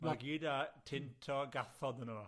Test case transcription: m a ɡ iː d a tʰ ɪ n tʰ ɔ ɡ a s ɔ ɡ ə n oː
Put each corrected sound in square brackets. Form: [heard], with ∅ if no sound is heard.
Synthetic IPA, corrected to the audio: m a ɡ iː d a tʰ ɪ n tʰ ɔ ɡ a [θ] ɔ [d] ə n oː